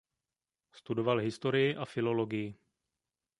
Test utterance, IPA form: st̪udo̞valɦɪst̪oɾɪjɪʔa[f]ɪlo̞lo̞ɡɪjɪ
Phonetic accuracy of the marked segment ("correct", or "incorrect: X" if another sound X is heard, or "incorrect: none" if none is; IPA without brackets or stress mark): correct